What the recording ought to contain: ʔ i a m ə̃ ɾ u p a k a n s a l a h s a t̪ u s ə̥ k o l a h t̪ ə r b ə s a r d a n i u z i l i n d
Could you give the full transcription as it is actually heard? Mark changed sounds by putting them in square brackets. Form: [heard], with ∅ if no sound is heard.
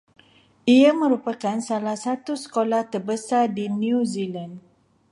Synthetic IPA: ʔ i a m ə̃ ɾ u p a k a n s a l a h s a t̪ u s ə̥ k o l a h t̪ ə r b ə s a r d [i] n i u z i l [a] n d